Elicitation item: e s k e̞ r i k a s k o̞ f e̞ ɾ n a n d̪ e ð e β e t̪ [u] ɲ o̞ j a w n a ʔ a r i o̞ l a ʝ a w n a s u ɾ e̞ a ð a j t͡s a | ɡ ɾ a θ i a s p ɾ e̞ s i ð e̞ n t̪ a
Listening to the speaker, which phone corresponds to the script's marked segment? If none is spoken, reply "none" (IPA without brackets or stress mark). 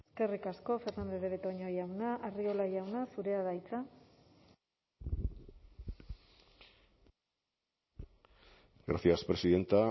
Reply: o